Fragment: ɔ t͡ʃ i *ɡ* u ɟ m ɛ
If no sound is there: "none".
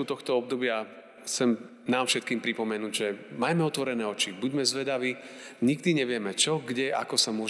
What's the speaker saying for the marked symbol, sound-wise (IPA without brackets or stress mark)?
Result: b